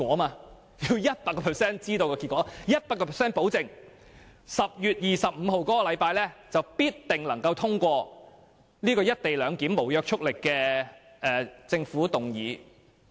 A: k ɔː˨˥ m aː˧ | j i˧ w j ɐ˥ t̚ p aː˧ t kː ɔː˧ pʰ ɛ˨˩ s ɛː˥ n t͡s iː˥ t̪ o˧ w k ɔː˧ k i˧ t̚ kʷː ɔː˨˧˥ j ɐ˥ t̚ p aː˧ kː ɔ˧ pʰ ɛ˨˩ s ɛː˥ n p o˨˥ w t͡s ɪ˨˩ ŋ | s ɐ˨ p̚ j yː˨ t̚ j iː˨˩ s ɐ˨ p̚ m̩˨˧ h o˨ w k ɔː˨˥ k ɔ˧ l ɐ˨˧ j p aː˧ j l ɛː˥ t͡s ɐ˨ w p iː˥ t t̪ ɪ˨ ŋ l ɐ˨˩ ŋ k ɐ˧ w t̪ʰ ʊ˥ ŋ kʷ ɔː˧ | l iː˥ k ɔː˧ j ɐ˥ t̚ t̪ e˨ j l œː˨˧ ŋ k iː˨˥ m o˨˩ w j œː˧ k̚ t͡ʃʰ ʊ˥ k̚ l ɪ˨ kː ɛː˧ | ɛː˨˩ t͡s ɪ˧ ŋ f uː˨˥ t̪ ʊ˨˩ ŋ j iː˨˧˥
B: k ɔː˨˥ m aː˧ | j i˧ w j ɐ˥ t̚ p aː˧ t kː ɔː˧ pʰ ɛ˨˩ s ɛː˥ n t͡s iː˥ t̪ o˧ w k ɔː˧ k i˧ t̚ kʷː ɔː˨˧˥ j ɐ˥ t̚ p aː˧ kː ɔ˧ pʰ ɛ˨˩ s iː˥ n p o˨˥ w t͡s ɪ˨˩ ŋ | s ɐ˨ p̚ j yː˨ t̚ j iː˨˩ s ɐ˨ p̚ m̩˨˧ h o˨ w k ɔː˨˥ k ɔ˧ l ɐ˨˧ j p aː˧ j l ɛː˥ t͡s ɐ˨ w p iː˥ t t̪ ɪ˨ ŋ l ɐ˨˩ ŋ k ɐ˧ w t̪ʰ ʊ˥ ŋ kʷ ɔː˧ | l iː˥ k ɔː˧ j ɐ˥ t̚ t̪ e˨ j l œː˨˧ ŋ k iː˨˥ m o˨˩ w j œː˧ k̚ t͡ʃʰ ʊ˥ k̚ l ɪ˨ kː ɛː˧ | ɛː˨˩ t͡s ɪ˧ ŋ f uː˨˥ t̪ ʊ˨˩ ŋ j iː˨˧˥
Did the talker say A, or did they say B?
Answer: A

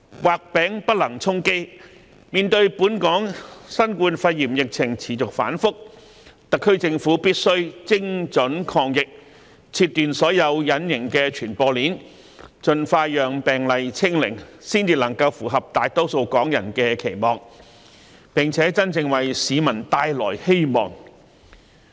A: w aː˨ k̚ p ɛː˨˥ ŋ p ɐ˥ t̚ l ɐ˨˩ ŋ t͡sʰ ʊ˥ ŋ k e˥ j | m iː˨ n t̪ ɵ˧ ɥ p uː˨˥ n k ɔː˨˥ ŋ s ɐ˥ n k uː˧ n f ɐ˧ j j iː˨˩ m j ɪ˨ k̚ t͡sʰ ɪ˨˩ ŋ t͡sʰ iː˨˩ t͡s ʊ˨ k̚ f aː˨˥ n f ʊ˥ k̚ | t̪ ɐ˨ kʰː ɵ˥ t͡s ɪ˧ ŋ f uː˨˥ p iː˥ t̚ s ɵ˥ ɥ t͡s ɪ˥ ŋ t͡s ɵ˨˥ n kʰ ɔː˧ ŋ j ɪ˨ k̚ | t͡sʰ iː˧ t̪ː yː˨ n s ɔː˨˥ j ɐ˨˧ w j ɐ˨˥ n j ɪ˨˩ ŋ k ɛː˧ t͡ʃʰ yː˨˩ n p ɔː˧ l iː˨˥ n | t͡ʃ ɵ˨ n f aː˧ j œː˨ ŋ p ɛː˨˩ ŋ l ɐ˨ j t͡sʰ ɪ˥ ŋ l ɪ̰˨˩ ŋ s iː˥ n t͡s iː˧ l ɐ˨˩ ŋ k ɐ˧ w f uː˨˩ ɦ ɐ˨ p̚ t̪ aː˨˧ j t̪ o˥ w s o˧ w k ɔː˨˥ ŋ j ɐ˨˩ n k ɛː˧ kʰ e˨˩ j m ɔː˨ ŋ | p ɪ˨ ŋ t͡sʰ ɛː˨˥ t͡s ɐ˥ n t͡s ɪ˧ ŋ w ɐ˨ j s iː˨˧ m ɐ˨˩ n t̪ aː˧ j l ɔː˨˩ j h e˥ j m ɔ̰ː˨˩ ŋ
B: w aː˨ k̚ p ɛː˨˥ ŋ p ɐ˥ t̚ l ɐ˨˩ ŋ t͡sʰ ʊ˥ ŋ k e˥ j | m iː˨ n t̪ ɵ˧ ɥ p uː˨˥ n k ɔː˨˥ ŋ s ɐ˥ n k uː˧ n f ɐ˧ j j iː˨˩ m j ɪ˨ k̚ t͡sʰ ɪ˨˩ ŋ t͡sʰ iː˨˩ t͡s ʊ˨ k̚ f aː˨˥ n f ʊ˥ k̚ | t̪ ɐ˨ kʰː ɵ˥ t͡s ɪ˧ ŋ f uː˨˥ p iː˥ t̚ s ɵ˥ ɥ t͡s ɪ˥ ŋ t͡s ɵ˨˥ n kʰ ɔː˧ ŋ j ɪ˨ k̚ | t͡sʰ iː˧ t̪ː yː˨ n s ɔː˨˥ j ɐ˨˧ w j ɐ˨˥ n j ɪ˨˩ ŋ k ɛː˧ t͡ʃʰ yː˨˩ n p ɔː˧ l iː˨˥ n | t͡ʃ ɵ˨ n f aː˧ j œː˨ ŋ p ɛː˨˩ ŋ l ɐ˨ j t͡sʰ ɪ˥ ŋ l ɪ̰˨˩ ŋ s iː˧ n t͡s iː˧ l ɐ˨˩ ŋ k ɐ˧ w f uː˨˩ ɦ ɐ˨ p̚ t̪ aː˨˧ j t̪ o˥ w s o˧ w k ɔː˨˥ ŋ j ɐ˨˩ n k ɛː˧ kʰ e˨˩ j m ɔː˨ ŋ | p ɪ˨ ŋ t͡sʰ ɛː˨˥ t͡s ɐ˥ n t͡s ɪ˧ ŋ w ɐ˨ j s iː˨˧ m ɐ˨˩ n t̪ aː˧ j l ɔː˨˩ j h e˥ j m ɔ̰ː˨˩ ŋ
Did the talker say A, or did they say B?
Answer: A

